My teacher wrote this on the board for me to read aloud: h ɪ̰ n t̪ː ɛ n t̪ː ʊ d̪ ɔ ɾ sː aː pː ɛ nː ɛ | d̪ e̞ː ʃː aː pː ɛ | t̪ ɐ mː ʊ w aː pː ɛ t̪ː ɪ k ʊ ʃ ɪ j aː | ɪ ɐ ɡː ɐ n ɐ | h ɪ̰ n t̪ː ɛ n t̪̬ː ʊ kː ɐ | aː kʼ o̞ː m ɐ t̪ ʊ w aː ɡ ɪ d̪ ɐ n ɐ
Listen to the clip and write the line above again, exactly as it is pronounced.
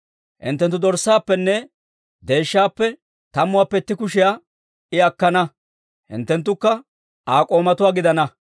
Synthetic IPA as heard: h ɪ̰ n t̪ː ɛ n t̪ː ʊ d̪ ɔ ɾ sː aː pː ɛ nː ɛ | d̪ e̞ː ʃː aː pː ɛ | t̪ ɐ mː ʊ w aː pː ɛ t̪ː ɪ k ʊ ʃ ɪ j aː | ɪ ɐ kː ɐ n ɐ | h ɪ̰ n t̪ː ɛ n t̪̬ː ʊ kː ɐ | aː kʼ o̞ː m ɐ t̪ ʊ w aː ɡ ɪ d̪ ɐ n ɐ